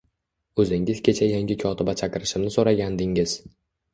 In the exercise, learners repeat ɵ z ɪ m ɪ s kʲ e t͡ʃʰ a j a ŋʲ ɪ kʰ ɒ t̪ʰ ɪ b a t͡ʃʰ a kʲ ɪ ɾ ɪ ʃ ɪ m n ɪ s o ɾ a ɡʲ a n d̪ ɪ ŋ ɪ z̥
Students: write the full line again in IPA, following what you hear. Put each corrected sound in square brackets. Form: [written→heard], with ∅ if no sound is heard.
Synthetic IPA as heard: ɵ z ɪ [m→ŋ] ɪ [s→z] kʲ e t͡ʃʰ a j a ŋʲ ɪ kʰ ɒ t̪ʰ ɪ b a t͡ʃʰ a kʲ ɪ ɾ ɪ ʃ ɪ m n ɪ s o ɾ a ɡʲ a n d̪ ɪ ŋ ɪ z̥